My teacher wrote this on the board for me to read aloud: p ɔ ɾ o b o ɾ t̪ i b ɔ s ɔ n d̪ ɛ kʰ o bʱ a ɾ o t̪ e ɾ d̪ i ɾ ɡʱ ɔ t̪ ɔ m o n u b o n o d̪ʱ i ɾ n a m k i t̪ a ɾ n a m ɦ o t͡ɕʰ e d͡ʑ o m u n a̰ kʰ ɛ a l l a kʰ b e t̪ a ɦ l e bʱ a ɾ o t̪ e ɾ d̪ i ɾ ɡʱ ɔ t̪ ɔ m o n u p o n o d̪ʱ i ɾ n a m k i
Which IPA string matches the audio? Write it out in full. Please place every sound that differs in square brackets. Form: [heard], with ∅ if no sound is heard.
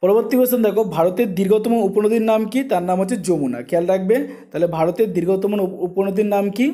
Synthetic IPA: p ɔ ɾ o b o ɾ t̪ i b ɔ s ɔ n d̪ ɛ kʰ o bʱ a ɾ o t̪ e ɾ d̪ i ɾ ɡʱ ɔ t̪ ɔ m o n u [p] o n o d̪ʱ i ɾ n a m k i t̪ a ɾ n a m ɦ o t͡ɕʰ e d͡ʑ o m u n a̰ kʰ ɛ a l [ɾ] a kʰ b e t̪ a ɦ l e bʱ a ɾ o t̪ e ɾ d̪ i ɾ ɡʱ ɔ t̪ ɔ m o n u p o n o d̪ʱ i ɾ n a m k i